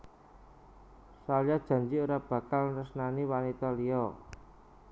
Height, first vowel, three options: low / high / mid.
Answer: low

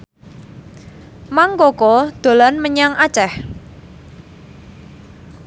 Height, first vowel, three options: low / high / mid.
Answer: low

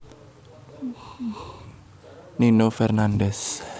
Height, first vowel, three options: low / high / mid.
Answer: high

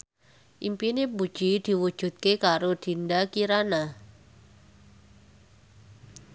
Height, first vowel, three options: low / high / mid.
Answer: high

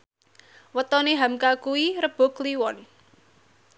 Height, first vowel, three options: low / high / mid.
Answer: mid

